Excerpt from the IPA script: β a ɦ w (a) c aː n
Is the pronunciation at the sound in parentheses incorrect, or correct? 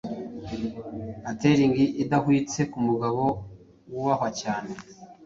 correct